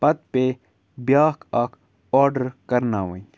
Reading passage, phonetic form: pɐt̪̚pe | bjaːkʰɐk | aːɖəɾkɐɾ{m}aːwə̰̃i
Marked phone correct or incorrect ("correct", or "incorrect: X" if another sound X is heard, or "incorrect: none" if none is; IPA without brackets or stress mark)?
incorrect: n